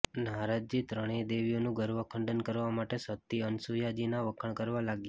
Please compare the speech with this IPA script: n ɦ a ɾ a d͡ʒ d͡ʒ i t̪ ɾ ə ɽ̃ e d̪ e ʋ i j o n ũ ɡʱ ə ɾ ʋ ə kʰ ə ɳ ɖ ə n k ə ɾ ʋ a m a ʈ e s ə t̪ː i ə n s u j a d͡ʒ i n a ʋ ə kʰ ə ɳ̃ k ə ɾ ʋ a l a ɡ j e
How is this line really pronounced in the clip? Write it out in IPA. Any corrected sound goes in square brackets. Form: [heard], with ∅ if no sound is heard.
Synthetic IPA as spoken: n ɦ a ɾ a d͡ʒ d͡ʒ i t̪ ɾ ə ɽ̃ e d̪ e ʋ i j o n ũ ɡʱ ə ɾ ʋ ə kʰ ə ɳ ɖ ə n k ə ɾ ʋ a m a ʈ e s ə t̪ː i ə n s u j a d͡ʒ i n a ʋ ə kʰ ə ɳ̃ k ə ɾ ʋ a l a ɡ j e